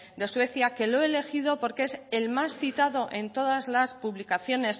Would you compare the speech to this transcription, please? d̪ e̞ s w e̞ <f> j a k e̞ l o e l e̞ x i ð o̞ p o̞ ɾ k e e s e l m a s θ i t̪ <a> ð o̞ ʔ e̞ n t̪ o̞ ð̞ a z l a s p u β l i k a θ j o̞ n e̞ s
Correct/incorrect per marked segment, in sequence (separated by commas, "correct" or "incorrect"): incorrect, correct